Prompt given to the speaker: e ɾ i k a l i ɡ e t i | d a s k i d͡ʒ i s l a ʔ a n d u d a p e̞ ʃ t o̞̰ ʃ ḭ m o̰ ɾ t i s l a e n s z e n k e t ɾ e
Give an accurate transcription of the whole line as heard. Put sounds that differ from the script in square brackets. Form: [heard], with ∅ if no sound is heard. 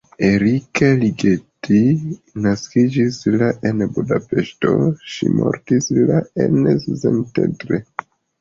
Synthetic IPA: e ɾ i k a l i ɡ e t i | [n] a s k i d͡ʒ i s l a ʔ [e] n [b] u d a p e̞ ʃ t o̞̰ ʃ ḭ m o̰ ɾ t i s l a e n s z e n [t] e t ɾ e